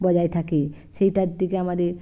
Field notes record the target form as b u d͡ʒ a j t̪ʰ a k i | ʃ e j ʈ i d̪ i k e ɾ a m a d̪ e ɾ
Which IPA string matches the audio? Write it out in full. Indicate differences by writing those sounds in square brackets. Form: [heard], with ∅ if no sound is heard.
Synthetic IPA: b [ɔ] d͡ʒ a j t̪ʰ a k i | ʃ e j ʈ [a] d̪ i k e [∅] a m a d̪ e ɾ